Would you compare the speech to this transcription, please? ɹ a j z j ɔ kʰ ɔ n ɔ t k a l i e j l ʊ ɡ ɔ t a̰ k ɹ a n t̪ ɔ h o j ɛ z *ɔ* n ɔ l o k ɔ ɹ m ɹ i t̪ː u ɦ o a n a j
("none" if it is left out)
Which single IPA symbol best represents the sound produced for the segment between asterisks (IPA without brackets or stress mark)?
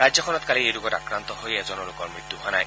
ɔ